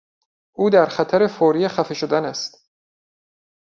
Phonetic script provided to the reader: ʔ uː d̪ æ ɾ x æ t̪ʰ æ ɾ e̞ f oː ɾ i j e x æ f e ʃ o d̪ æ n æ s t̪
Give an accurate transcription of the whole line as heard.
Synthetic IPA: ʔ uː d̪ æ ɾ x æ t̪ʰ æ ɾ e̞ f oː ɾ i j e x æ f e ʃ o d̪ æ n æ s t̪